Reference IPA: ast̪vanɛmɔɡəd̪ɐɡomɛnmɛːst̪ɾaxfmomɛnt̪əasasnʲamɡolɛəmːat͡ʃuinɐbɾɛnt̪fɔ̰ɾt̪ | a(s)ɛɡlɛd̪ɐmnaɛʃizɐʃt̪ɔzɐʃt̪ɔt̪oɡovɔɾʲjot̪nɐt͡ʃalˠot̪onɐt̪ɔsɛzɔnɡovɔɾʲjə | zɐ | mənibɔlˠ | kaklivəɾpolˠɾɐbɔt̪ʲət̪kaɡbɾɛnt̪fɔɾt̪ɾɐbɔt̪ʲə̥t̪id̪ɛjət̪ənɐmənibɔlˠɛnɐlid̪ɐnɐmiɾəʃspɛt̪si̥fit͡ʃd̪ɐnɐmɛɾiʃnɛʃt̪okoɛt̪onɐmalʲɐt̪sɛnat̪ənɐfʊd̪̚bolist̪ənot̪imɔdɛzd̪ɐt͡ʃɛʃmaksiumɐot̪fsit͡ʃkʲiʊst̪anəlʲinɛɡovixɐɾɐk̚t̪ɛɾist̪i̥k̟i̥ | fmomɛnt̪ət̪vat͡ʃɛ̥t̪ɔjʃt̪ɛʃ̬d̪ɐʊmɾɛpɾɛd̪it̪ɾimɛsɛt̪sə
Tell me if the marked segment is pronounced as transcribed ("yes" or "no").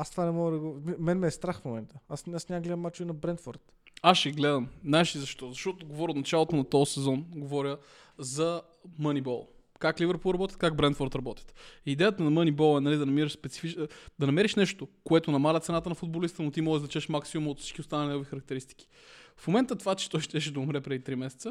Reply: no